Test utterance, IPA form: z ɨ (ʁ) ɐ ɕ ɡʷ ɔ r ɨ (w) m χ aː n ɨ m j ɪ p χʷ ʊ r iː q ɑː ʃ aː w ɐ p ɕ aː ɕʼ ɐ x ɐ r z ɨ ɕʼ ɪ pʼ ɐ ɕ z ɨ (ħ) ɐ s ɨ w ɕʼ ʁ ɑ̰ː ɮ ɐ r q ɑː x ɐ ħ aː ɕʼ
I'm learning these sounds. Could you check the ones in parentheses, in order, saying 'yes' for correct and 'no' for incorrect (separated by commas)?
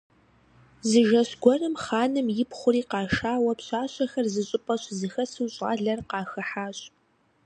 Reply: no, no, no